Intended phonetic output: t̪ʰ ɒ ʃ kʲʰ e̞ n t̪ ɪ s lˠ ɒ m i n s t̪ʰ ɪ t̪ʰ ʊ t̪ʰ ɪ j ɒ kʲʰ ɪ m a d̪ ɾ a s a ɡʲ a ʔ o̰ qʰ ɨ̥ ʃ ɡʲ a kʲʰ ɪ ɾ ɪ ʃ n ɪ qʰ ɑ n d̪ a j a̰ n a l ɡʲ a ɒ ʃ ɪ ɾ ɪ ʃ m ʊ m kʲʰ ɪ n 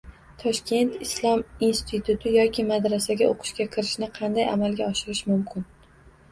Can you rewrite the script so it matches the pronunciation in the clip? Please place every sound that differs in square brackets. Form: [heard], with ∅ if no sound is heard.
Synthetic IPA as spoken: t̪ʰ ɒ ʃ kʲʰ e̞ n t̪ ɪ s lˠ ɒ m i n s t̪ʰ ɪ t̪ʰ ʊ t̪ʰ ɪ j ɒ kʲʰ ɪ m a d̪ ɾ a s a ɡʲ a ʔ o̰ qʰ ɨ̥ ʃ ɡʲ a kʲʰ ɪ ɾ ɪ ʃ n ɪ qʰ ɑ n d̪ a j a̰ [m] a l ɡʲ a ɒ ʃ ɪ ɾ ɪ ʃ m ʊ m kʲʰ ɪ n